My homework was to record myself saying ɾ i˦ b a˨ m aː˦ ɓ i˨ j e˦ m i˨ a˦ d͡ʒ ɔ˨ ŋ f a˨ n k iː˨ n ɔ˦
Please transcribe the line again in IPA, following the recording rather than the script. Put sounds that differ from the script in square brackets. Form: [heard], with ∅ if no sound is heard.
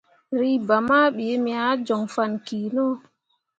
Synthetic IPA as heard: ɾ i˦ b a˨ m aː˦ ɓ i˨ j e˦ m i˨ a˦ d͡ʒ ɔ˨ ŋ f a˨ n k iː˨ n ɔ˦